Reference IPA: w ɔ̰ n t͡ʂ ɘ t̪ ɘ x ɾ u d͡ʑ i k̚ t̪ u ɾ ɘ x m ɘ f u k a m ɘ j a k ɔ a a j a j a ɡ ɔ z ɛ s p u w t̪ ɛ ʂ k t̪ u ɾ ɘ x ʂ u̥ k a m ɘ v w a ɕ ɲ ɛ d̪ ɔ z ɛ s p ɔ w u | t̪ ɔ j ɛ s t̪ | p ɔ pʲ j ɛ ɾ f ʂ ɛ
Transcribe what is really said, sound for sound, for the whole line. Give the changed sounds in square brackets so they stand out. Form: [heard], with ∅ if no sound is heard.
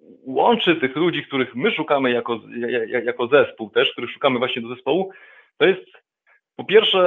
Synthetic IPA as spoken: w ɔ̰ n t͡ʂ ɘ t̪ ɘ x [l] u d͡ʑ i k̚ t̪ u ɾ ɘ x m ɘ [ʂ] u k a m ɘ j a k ɔ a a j a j a [k] ɔ z ɛ s p u w t̪ ɛ ʂ k t̪ u ɾ ɘ x ʂ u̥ k a m ɘ v w a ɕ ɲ ɛ d̪ ɔ z ɛ s p ɔ w u | t̪ ɔ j ɛ s t̪ | p ɔ pʲ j ɛ ɾ f ʂ ɛ